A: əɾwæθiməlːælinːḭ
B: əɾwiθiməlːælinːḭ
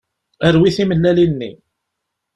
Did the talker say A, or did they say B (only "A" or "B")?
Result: B